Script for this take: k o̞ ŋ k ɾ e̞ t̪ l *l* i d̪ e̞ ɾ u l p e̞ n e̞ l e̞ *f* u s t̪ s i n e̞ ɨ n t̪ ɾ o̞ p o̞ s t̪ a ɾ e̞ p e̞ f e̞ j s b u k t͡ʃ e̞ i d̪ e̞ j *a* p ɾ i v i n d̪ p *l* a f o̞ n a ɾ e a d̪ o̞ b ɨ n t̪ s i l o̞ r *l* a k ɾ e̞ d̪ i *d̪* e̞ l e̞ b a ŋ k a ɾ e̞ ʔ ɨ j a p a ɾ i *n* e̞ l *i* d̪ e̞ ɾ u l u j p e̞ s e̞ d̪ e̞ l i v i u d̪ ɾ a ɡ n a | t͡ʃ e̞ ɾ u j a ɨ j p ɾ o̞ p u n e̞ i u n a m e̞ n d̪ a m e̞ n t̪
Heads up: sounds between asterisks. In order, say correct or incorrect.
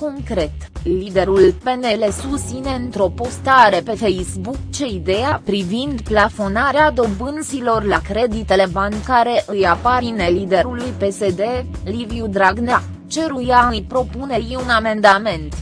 correct, incorrect: s, correct, correct, correct, incorrect: t̪, correct, correct

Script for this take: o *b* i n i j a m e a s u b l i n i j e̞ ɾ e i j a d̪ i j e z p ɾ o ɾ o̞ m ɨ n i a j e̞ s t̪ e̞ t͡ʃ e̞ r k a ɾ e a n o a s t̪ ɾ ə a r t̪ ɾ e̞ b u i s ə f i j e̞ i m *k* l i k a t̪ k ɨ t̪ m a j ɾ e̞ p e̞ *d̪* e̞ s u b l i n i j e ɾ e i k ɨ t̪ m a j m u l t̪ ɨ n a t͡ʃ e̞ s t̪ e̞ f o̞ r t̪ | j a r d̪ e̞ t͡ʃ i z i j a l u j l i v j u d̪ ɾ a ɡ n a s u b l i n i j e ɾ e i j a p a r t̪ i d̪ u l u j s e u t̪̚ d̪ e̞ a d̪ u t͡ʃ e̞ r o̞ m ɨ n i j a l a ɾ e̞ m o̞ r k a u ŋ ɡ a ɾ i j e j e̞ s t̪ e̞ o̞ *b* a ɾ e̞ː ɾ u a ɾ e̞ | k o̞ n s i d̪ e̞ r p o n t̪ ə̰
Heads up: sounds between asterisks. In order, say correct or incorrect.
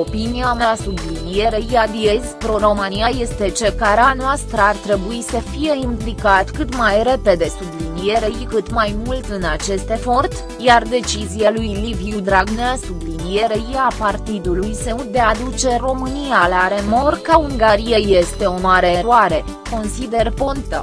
incorrect: p, incorrect: p, correct, incorrect: m

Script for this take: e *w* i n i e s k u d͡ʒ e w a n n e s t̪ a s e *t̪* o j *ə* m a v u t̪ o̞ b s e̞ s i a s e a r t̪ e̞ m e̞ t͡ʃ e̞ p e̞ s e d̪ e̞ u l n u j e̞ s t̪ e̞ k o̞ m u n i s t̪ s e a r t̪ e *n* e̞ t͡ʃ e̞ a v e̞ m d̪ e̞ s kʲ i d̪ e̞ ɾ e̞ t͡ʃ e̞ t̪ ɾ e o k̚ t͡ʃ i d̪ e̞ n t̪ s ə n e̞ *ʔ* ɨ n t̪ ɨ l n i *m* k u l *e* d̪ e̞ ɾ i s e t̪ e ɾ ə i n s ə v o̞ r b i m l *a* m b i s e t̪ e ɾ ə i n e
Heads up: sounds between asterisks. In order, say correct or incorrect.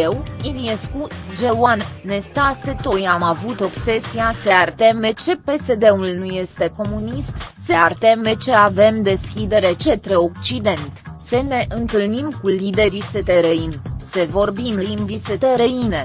correct, correct, incorrect: a, incorrect: m, correct, correct, incorrect: i, incorrect: i

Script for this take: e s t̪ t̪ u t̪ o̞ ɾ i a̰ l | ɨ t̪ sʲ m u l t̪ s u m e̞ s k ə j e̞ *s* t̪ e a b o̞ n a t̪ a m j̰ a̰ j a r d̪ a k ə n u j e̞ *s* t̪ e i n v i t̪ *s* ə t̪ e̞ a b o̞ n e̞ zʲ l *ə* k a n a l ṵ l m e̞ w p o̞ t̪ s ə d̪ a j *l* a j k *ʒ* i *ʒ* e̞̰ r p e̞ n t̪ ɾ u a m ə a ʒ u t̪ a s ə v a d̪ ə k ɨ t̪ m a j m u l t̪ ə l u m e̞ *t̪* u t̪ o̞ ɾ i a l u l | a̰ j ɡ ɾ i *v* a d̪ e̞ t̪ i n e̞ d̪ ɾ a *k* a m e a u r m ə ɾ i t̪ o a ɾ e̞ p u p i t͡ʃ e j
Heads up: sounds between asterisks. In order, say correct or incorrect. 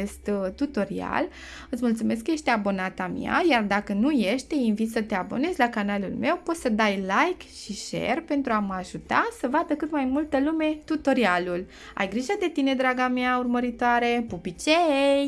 incorrect: ʃ, incorrect: ʃ, correct, incorrect: a, correct, incorrect: ʃ, incorrect: ʃ, correct, incorrect: ʒ, incorrect: ɡ

